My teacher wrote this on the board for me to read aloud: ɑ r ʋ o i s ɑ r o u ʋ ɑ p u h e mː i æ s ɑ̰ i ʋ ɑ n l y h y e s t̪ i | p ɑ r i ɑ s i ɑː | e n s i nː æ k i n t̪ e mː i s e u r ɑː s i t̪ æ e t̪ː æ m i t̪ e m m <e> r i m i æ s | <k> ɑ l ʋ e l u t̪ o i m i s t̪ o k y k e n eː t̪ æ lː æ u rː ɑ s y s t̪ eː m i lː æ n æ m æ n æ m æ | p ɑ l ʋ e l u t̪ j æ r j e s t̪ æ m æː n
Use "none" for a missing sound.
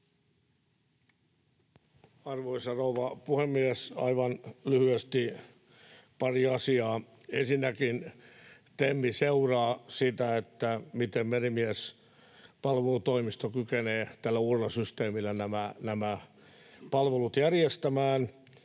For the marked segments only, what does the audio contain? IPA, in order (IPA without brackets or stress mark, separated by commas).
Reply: e, p